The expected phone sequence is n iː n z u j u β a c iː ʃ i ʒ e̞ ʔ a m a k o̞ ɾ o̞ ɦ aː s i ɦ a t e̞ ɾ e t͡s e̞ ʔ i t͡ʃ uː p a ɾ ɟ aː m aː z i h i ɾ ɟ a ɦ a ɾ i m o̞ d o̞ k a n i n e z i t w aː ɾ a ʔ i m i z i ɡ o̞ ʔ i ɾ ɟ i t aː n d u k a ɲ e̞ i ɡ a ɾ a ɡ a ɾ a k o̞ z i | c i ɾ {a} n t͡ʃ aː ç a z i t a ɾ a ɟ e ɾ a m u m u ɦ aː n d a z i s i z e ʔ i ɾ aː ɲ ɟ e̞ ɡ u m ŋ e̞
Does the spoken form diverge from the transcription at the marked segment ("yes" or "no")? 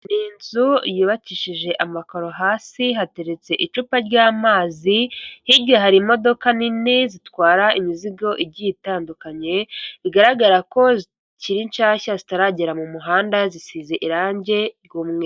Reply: yes